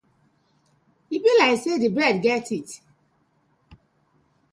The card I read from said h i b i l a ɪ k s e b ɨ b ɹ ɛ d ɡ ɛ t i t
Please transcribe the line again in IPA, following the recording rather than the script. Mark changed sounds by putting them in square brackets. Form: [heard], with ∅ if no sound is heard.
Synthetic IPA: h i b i l a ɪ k s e [d] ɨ b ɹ ɛ d ɡ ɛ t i t